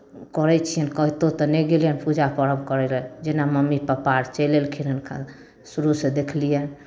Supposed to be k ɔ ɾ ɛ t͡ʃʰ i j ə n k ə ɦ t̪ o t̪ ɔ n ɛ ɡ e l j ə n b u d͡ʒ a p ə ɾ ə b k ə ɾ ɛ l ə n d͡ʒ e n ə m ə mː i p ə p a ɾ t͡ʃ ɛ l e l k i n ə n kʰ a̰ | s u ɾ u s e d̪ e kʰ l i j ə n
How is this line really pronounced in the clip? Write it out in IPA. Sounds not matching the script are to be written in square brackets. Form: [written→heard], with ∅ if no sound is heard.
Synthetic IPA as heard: k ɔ ɾ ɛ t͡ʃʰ i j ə n k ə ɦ t̪ o t̪ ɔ n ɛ ɡ e l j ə n [b→p] u d͡ʒ a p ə ɾ ə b k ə ɾ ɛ l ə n d͡ʒ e n [ə→a] m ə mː i p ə p a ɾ t͡ʃ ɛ l e l [k→kʰ] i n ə n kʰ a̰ | s u ɾ u s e d̪ e kʰ l i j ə n

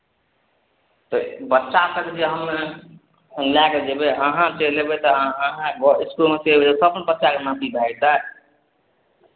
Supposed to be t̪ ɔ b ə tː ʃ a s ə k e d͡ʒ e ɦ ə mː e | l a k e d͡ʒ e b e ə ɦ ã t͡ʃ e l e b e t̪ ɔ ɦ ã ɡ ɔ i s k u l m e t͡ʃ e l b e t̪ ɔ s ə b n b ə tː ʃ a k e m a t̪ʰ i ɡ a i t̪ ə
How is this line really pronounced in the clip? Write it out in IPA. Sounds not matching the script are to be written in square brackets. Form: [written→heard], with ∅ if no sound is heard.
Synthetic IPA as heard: t̪ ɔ b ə tː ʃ a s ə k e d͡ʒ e ɦ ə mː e | l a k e d͡ʒ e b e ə ɦ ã t͡ʃ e l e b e t̪ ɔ ɦ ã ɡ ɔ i s k u l m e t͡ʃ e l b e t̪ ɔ s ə b n b ə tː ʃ a k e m a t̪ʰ i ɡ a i t̪ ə

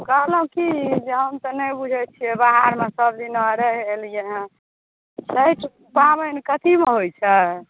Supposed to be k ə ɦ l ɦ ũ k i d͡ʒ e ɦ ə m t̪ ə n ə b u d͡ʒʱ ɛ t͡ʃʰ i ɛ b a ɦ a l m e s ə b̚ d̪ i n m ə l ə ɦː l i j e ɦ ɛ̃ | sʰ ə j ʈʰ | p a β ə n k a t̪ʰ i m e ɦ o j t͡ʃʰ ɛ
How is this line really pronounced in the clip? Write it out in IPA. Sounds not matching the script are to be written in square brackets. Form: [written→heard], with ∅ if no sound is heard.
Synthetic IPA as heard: k ə ɦ l ɦ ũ k i d͡ʒ e ɦ ə m t̪ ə n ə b u d͡ʒʱ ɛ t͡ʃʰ i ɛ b a ɦ a [l→ɾ] m e s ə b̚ d̪ i n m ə [l→ɾ] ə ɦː l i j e ɦ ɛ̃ | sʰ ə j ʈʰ | p a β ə n k [a→ə] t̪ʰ i m e ɦ o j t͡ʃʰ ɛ

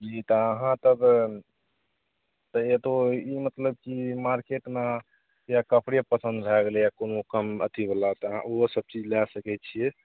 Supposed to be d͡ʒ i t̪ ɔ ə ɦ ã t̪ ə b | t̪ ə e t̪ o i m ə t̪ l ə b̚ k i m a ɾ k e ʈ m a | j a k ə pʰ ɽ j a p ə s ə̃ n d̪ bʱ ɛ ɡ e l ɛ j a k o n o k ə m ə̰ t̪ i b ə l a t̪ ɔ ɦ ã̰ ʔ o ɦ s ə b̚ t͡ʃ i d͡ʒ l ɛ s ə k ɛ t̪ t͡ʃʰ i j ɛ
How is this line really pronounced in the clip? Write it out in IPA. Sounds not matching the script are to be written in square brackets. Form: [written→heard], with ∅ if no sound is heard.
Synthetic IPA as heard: d͡ʒ i t̪ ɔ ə ɦ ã t̪ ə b | t̪ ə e t̪ o i m ə t̪ l ə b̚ k i m a ɾ k e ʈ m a | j a k ə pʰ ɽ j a p ə s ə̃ n d̪ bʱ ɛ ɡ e l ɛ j a k o n o k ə m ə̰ t̪ i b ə l a t̪ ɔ ɦ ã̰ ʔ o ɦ s ə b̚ t͡ʃ i d͡ʒ l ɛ s ə k ɛ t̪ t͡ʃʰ i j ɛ

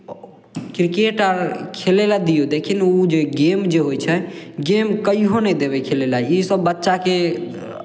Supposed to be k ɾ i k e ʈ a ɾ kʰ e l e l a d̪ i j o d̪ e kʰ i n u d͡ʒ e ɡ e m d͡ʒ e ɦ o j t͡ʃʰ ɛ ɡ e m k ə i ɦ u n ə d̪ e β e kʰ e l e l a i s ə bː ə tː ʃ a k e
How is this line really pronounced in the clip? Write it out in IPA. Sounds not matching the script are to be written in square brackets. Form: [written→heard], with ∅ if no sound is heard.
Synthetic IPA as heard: k ɾ i k e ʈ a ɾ kʰ e l e l a d̪ i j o d̪ e kʰ i n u d͡ʒ e ɡ e m d͡ʒ e ɦ o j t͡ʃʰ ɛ ɡ e m k ə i ɦ [u→o] n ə d̪ e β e kʰ e l e l a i s ə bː ə tː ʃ a k e

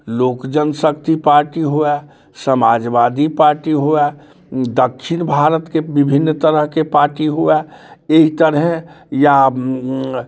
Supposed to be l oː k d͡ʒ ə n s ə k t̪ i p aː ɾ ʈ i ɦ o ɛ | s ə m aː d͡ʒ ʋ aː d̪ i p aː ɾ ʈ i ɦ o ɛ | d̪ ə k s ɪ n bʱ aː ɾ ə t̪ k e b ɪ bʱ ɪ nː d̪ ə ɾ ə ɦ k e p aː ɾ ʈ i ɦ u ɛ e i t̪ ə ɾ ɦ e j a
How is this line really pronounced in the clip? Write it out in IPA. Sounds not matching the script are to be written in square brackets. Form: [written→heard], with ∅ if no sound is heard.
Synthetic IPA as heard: l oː k d͡ʒ ə n s ə k t̪ i p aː ɾ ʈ i ɦ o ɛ | s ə m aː d͡ʒ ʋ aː d̪ i p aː ɾ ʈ i ɦ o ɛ | d̪ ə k [s→ʃ] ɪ n bʱ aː ɾ ə t̪ k e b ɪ bʱ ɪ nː [d̪→t̪] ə ɾ ə ɦ k e p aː ɾ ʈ i ɦ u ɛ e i t̪ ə ɾ ɦ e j a

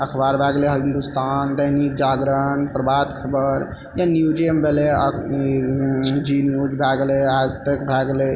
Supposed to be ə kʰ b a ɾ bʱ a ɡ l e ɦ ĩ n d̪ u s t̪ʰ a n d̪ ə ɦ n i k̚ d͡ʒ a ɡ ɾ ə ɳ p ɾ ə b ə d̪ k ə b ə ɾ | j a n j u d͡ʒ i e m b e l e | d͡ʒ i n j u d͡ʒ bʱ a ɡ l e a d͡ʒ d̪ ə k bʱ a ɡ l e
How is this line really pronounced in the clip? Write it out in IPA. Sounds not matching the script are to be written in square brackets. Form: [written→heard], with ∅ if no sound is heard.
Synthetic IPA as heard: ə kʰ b a ɾ bʱ a ɡ l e ɦ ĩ n d̪ u s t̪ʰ a n d̪ ə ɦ n i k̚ d͡ʒ a ɡ ɾ ə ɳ p ɾ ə b [ə→a] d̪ [k→kʰ] ə b ə ɾ | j a n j u d͡ʒ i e m b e l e | d͡ʒ i n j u d͡ʒ bʱ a ɡ l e a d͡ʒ [d̪→t̪] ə k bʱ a ɡ l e

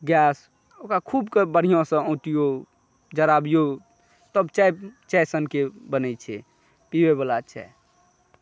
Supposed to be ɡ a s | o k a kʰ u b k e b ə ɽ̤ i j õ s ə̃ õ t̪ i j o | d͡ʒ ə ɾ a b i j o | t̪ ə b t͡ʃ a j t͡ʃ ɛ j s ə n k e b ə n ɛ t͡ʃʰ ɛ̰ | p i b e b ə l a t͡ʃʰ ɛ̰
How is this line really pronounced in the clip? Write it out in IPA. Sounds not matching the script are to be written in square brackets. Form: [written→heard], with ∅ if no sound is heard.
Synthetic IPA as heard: ɡ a s | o k a kʰ u b k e b ə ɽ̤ i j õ s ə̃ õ t̪ i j o | d͡ʒ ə ɾ a b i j o | t̪ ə b t͡ʃ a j t͡ʃ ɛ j s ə n k e b ə n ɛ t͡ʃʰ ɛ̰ | p i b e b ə l a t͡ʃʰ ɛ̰

